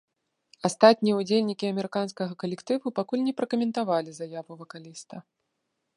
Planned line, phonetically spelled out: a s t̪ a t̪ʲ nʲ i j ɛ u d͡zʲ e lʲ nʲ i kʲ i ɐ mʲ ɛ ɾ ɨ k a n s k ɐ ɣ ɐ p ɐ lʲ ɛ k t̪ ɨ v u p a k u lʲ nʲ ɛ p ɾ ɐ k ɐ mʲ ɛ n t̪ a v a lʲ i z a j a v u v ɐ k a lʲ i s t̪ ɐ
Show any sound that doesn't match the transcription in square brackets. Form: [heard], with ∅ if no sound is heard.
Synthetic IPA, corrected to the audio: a s t̪ a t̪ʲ nʲ i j ɛ u d͡zʲ e lʲ nʲ i kʲ i ɐ mʲ ɛ ɾ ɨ k a n s k ɐ ɣ ɐ [k] ɐ lʲ ɛ k t̪ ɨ v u p a k u lʲ nʲ ɛ p ɾ ɐ k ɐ mʲ ɛ n t̪ a v a lʲ i z a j a v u v ɐ k a lʲ i s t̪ ɐ